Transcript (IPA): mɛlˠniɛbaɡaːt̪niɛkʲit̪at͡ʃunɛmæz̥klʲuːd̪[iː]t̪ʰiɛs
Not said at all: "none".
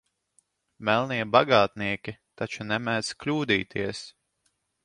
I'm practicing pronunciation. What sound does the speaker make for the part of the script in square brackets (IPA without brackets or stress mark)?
iː